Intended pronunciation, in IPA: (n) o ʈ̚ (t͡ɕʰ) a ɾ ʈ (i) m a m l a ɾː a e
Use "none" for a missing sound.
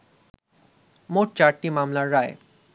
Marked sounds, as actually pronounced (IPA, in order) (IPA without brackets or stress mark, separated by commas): m, t͡ɕ, i